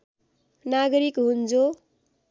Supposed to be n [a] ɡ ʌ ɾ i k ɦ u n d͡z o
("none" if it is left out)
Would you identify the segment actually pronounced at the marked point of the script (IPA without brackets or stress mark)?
a